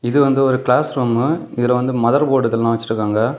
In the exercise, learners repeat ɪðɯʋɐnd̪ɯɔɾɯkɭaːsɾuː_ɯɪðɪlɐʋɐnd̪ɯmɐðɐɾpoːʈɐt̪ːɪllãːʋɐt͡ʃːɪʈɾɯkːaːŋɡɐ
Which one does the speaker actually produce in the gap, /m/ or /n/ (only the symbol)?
m